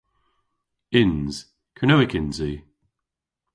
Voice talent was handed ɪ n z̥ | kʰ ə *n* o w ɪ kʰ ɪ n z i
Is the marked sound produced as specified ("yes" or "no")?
yes